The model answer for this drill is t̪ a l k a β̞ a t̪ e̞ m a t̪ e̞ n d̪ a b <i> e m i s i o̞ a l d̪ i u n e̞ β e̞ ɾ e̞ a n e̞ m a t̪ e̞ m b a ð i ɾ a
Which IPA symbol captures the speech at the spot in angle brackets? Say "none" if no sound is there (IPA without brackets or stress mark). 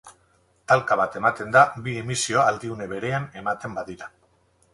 i